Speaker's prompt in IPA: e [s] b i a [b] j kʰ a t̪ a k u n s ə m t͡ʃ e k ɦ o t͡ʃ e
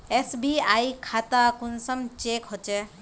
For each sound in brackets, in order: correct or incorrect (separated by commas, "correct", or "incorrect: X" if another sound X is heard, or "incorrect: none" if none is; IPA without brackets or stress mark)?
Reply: correct, incorrect: none